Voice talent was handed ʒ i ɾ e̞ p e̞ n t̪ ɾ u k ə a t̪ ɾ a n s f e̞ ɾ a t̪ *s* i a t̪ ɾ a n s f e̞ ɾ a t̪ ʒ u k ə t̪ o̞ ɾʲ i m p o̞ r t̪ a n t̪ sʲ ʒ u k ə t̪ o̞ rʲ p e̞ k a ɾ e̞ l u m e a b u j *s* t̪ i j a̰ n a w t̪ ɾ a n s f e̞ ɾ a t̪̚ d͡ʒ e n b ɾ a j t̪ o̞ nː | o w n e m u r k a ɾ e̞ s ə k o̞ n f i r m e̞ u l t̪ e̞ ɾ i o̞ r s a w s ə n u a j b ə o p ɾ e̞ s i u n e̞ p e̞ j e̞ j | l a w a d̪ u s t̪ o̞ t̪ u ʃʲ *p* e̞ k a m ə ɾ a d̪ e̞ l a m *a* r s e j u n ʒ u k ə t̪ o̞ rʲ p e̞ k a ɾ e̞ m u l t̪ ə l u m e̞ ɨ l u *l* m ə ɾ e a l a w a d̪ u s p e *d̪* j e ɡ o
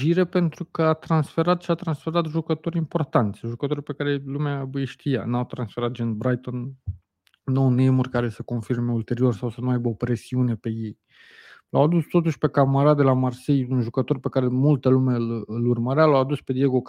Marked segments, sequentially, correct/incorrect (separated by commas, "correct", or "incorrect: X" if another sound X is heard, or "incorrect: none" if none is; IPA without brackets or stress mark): incorrect: ʃ, incorrect: ʃ, correct, correct, incorrect: r, correct